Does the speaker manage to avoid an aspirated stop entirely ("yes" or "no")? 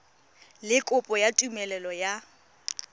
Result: yes